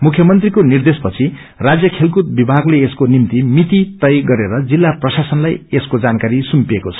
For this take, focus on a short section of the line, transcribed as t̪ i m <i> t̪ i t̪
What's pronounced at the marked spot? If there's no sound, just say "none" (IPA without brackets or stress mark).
i